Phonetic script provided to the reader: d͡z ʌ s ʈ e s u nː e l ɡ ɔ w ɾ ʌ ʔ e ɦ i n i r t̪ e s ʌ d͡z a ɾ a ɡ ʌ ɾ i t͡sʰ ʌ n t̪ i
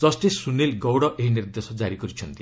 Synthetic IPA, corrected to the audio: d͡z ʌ s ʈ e s u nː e l ɡ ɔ w ɽ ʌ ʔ e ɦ i n i r d̪ e s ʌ d͡z a ɾ i ɡ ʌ ɾ i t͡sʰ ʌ n t̪ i